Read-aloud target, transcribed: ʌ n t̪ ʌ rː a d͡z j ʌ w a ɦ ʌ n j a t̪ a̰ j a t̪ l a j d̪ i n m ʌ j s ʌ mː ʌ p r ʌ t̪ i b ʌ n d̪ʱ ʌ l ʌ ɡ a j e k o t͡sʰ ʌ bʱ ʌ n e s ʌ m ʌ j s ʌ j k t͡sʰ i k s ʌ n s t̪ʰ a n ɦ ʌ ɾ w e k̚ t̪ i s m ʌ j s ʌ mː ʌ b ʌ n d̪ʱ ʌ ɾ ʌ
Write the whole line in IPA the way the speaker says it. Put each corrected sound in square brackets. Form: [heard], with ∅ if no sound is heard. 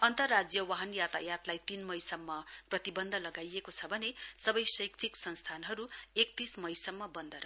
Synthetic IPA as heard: ʌ n t̪ ʌ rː a d͡z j ʌ w a ɦ ʌ n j a t̪ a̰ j a t̪ l a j [t̪] i n m ʌ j s ʌ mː ʌ p r ʌ t̪ i b ʌ n d̪ʱ ʌ l ʌ ɡ a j e k o t͡sʰ ʌ bʱ ʌ n e s ʌ [b] ʌ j s ʌ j k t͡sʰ i k s ʌ n s t̪ʰ a n ɦ ʌ ɾ [u] e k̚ t̪ i s m ʌ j s ʌ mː ʌ b ʌ n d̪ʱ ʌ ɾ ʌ